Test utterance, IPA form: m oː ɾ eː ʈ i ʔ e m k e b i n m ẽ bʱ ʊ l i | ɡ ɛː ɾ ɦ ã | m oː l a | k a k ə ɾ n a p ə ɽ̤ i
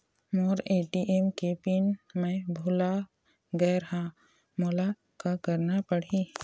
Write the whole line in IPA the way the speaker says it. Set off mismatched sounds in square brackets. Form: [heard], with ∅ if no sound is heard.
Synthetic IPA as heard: m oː ɾ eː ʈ i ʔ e m k e [p] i n m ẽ bʱ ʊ l [a] | ɡ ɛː ɾ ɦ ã | m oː l a | k a k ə ɾ n a p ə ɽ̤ i

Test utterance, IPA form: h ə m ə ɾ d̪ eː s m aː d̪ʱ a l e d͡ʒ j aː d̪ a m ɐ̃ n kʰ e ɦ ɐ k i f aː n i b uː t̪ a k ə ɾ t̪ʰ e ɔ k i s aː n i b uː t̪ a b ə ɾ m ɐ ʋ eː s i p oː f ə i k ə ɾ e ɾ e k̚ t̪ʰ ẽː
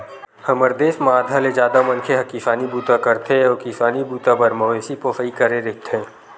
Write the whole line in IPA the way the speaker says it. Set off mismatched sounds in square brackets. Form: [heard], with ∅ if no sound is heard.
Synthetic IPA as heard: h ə m ə ɾ d̪ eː s m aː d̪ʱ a l e d͡ʒ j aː d̪ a m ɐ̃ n kʰ e ɦ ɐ k i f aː n i b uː t̪ a k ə ɾ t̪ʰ e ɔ k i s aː n i b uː t̪ a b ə ɾ m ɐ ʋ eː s i p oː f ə i k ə ɾ e ɾ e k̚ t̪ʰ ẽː

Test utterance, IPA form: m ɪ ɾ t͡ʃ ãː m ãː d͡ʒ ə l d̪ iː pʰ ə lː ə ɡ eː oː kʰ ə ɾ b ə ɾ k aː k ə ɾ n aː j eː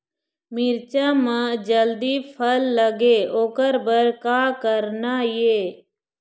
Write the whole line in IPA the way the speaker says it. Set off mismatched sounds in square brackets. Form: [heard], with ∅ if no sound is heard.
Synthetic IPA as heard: m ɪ ɾ t͡ʃ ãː m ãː d͡ʒ ə l d̪ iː pʰ ə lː ə ɡ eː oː [k] ə ɾ b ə ɾ k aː k ə ɾ n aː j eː

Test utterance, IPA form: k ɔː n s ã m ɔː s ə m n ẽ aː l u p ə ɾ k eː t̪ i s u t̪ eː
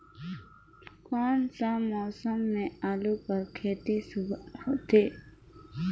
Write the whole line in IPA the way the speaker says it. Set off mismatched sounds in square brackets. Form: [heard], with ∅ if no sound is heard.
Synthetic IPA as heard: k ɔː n s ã m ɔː s ə m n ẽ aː l u p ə ɾ [kʰ] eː t̪ i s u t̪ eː

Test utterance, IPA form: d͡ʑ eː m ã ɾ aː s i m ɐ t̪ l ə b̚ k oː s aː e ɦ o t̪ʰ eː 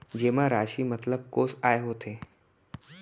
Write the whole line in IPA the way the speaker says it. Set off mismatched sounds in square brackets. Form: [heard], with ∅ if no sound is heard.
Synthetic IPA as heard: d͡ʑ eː m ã ɾ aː [ʃ] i m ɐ t̪ l ə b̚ k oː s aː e ɦ o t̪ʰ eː

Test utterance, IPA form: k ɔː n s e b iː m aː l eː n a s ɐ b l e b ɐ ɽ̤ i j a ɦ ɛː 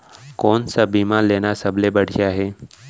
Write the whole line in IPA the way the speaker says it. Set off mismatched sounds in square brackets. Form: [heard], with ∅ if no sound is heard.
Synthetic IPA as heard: k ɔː n s [a] b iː m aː l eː n a s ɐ b l e b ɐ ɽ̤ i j a ɦ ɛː

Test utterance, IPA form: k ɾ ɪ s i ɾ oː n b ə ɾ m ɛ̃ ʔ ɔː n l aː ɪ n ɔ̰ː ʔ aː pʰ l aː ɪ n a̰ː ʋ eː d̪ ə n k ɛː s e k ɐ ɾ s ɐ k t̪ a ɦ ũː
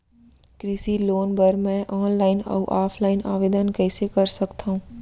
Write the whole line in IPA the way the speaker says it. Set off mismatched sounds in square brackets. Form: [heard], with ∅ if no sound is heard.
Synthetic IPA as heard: k ɾ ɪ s i [l] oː n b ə ɾ m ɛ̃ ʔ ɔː n l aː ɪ n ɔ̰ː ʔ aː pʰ l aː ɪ n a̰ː ʋ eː d̪ ə n k ɛː s e k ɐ ɾ s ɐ k t̪ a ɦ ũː

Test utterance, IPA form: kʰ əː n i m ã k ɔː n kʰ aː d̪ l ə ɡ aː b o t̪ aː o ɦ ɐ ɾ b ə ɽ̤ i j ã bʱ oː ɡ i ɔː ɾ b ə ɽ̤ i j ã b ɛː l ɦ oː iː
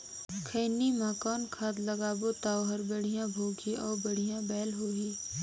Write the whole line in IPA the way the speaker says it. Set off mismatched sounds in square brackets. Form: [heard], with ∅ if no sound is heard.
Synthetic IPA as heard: kʰ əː n i m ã k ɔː n kʰ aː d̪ l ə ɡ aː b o t̪ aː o ɦ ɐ ɾ b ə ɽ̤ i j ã bʱ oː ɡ i ɔː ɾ b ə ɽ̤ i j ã b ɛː l ɦ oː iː

